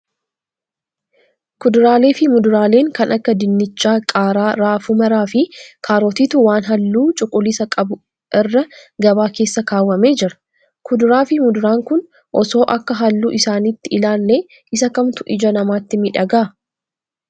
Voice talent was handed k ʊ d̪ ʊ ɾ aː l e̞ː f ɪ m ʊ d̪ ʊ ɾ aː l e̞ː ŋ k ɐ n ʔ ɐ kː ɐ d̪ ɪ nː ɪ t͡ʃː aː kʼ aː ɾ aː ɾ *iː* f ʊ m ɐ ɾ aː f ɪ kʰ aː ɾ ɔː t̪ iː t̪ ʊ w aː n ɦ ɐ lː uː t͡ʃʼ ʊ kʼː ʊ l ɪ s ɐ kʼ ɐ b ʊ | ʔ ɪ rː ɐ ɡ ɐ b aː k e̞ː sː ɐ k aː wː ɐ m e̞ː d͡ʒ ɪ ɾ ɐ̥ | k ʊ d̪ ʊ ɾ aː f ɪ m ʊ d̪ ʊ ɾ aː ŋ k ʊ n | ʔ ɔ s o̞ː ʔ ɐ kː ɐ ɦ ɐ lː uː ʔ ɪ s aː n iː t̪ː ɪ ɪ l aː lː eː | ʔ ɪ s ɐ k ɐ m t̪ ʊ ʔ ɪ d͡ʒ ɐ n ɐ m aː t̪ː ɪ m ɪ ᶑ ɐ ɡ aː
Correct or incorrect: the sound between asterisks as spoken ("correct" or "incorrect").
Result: incorrect